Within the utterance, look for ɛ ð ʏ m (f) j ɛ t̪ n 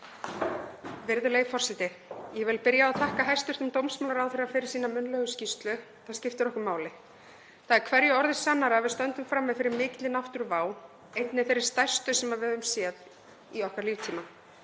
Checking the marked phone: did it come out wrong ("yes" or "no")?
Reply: yes